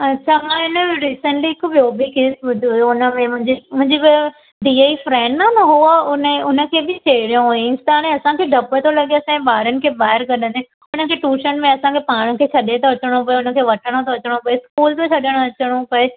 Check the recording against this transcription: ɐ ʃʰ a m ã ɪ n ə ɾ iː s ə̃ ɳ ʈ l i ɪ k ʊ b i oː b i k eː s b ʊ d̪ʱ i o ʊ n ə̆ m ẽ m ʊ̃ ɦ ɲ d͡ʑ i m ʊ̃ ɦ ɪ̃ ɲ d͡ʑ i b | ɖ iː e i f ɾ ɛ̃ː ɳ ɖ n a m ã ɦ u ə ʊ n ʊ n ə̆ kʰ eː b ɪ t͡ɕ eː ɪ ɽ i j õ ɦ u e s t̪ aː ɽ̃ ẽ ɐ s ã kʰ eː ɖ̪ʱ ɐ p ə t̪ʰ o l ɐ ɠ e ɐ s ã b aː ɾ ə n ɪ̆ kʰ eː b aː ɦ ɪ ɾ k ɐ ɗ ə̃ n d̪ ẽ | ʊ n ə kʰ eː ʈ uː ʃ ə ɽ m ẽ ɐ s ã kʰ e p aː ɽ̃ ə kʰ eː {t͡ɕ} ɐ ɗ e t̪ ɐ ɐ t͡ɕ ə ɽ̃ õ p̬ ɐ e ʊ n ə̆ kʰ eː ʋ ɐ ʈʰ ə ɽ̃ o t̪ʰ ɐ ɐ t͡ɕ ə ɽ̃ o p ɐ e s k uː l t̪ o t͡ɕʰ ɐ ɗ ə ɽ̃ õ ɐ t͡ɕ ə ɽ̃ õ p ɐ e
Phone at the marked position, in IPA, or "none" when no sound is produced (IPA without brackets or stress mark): t͡ɕʰ